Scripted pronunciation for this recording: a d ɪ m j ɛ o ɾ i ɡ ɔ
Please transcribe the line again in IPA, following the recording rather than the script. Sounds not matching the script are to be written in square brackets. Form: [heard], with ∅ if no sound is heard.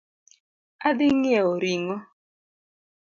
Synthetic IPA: a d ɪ [ŋ] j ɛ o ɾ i [ŋ] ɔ